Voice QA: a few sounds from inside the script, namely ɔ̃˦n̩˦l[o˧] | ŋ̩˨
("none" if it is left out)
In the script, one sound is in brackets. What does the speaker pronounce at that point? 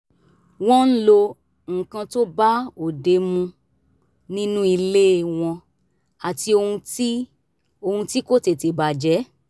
o˧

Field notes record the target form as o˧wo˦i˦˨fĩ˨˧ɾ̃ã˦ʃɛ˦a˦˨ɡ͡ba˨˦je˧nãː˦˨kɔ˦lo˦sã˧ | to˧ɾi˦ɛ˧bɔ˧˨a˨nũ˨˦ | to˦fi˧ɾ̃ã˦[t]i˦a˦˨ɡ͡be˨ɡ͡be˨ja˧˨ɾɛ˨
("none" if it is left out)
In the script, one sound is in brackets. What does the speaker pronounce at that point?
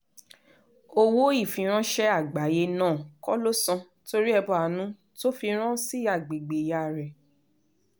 s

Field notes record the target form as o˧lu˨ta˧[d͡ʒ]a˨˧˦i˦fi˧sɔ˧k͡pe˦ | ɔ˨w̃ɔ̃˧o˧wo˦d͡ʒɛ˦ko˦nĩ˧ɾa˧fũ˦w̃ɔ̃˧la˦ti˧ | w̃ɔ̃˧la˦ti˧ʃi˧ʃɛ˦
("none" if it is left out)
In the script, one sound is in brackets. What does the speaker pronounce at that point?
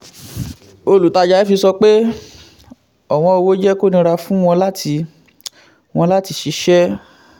d͡ʒ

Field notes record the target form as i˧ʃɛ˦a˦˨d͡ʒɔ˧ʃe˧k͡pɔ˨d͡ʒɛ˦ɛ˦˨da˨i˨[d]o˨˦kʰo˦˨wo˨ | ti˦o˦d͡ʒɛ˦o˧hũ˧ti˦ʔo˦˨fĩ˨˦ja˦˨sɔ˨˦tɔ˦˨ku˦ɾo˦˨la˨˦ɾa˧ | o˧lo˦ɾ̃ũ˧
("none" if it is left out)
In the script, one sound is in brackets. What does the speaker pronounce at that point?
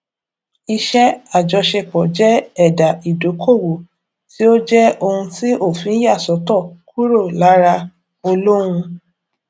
d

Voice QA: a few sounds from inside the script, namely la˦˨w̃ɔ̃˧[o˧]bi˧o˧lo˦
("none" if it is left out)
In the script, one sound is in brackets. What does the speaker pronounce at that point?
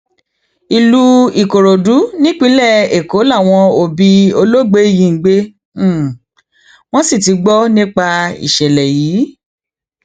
o˧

